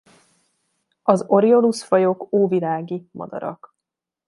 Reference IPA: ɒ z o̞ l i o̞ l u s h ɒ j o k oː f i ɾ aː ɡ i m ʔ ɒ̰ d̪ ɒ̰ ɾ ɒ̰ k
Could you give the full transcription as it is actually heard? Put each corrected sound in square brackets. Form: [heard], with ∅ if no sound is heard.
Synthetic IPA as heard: ɒ z o̞ [ɾ] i o̞ l u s [f] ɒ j o k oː [v] i [l] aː ɡ i m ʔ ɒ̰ d̪ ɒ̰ ɾ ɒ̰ k

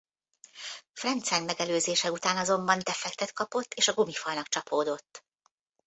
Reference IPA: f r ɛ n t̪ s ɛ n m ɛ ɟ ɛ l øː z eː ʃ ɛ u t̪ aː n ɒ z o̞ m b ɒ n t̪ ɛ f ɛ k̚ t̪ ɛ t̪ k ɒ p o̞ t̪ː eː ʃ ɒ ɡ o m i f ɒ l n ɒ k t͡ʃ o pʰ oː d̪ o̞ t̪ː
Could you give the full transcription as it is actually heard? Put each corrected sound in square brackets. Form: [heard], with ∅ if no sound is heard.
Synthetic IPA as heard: f r ɛ n t̪ s ɛ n m ɛ [ɡ] ɛ l øː z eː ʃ ɛ u t̪ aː n ɒ z o̞ m b ɒ n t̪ ɛ f ɛ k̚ t̪ ɛ t̪ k ɒ p o̞ t̪ː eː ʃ ɒ ɡ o m i f ɒ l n ɒ k t͡ʃ [ɒ] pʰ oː d̪ o̞ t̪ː

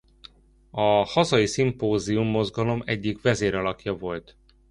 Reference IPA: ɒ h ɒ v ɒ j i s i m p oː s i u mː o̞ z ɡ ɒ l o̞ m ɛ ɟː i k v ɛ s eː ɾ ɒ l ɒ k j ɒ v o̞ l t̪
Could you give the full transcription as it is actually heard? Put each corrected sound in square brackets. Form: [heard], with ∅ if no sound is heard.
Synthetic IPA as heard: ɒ h ɒ [z] ɒ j i s i m p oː [z] i u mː o̞ z ɡ ɒ l o̞ m ɛ ɟː i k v ɛ [z] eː ɾ ɒ l ɒ k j ɒ v o̞ l t̪

